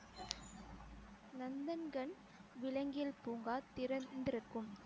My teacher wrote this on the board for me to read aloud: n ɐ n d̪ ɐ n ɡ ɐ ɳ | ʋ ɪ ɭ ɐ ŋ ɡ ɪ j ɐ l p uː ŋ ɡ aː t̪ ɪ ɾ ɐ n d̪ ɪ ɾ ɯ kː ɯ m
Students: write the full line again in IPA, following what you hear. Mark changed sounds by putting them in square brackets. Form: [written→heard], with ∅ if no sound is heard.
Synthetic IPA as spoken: n ɐ n d̪ ɐ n ɡ ɐ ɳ | ʋ ɪ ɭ ɐ ŋ ɡ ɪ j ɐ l p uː ŋ ɡ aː t̪ ɪ ɾ ɐ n d̪ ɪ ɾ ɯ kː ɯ m